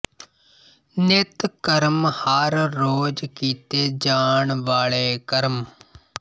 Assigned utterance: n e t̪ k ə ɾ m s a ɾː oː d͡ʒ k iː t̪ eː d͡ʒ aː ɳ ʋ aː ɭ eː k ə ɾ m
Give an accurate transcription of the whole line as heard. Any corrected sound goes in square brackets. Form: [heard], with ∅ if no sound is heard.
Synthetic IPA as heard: n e t̪ k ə ɾ m [h] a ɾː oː d͡ʒ k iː t̪ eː d͡ʒ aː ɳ ʋ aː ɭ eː k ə ɾ m